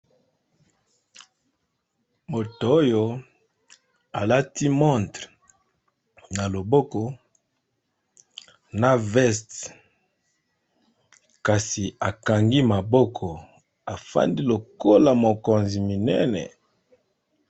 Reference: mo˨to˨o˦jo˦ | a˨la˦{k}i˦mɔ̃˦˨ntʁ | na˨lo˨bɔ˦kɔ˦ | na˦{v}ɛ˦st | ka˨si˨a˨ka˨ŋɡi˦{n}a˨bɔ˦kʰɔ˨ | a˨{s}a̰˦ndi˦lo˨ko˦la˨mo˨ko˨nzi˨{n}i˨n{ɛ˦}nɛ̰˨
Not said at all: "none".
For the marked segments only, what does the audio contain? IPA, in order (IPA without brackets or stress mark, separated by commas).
t, v, m, f, m, ɛ˦